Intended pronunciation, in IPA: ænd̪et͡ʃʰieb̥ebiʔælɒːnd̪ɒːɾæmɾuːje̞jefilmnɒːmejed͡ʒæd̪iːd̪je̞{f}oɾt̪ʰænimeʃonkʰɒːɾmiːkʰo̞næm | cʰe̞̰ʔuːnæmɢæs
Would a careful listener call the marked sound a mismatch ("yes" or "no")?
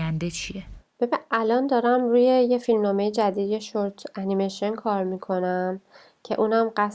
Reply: yes